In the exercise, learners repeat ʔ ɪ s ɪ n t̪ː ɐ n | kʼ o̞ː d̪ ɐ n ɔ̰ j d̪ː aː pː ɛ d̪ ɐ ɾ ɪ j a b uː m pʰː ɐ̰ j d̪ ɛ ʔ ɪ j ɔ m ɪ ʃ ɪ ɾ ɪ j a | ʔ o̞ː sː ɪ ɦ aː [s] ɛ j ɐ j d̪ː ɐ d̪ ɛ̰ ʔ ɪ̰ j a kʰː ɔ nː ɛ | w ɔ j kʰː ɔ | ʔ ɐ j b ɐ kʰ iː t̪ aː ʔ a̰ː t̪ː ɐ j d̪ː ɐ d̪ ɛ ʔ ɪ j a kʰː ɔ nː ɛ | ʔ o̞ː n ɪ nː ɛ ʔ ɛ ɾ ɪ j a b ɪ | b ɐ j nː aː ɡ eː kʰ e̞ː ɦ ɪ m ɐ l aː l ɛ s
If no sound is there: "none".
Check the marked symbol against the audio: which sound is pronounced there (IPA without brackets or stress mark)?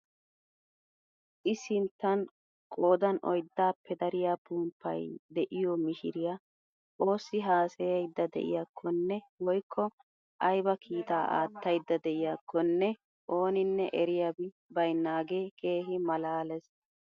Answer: s